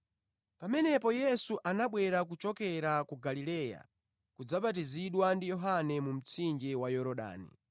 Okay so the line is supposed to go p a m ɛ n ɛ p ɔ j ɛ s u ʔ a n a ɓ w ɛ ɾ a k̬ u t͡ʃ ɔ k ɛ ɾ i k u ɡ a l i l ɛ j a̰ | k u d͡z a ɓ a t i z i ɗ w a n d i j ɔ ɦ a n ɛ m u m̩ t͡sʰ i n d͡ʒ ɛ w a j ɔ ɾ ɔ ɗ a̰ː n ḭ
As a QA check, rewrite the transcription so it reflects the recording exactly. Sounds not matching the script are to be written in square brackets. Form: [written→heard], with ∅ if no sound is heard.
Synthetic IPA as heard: p a m ɛ n ɛ p ɔ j ɛ s u ʔ a n a ɓ w ɛ ɾ a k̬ u t͡ʃ ɔ k ɛ ɾ [i→a] k u ɡ a l i l ɛ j a̰ | k u d͡z a ɓ a t i z i ɗ w a n d i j ɔ ɦ a n ɛ m u m̩ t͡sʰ i n d͡ʒ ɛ w a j ɔ ɾ ɔ ɗ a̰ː n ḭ